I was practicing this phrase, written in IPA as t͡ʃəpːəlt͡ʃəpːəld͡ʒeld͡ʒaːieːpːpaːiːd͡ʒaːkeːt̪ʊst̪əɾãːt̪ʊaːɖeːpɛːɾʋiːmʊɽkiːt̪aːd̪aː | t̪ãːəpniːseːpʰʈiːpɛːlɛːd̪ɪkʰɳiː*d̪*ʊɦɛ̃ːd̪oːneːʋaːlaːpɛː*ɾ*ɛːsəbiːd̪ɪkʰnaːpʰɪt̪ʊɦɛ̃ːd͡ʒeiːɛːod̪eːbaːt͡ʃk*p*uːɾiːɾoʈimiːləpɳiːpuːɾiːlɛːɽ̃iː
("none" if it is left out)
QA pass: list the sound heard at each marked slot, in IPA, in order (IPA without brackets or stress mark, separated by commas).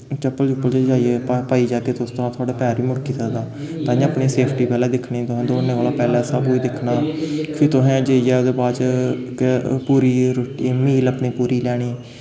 t̪, l, p